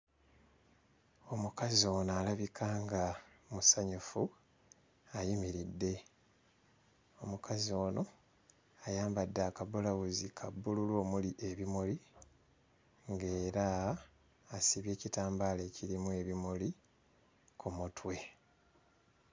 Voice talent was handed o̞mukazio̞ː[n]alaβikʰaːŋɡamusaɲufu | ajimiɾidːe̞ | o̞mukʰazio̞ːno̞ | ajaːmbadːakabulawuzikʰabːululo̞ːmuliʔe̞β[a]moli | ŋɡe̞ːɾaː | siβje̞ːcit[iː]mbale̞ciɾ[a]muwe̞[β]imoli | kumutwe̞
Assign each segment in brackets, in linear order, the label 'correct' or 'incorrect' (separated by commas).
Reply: correct, incorrect, incorrect, incorrect, correct